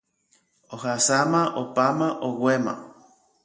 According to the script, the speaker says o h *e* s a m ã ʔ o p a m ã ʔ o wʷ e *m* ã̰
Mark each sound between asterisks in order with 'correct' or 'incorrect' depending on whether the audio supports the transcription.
incorrect, correct

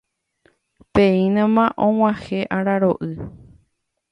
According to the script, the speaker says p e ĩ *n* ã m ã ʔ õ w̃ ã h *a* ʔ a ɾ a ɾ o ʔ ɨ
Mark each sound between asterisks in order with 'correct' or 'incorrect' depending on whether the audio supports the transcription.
correct, incorrect

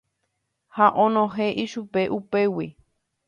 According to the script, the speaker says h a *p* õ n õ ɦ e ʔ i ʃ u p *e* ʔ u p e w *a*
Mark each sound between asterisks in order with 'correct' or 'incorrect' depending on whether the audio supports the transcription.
incorrect, correct, incorrect

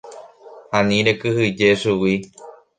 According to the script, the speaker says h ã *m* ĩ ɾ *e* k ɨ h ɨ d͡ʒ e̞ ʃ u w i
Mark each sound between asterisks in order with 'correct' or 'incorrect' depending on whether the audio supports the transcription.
incorrect, correct

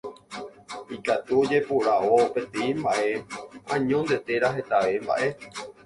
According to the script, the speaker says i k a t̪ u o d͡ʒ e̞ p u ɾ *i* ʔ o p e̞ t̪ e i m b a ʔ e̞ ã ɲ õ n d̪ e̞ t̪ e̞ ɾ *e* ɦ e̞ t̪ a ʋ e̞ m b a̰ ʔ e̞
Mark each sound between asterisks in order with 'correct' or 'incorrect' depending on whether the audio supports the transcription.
incorrect, incorrect

